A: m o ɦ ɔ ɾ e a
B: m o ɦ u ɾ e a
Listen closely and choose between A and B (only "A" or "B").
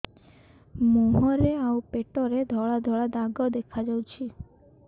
A